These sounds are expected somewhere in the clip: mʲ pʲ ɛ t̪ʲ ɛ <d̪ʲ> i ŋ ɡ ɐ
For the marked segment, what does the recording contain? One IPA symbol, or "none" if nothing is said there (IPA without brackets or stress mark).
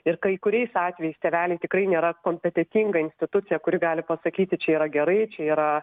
t̪ʲ